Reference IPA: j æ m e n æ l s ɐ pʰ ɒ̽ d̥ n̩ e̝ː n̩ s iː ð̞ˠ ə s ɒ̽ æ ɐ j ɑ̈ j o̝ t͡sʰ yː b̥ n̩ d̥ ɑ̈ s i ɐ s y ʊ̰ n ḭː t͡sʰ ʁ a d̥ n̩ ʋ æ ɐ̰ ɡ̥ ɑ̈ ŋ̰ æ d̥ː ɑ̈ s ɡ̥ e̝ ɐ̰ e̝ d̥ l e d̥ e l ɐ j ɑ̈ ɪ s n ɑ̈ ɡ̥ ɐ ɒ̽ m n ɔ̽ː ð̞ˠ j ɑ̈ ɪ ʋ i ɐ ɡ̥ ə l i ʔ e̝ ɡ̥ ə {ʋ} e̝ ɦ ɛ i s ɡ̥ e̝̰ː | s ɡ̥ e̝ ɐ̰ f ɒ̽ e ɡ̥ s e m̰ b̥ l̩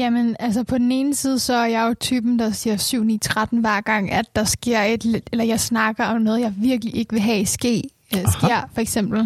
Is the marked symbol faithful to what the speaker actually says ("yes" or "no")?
yes